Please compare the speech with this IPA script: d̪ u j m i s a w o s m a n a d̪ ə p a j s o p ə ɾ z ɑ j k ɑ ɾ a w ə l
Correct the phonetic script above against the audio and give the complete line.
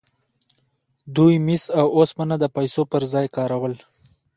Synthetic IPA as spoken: d̪ u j m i s a w o s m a n a d̪ ə p a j s o p ə ɾ z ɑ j k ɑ ɾ a w ə l